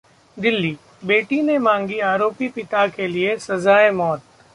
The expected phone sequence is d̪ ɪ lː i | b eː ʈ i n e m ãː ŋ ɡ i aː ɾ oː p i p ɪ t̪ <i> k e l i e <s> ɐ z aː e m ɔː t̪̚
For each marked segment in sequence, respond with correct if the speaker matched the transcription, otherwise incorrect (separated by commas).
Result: incorrect, correct